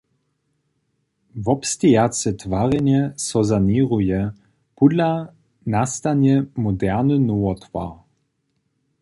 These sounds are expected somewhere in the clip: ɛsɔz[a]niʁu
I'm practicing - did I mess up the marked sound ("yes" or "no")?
no